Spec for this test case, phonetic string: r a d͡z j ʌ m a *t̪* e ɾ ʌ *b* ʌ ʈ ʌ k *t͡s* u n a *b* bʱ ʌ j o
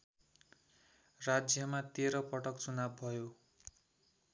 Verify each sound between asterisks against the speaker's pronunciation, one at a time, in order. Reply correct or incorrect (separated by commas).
correct, incorrect, correct, correct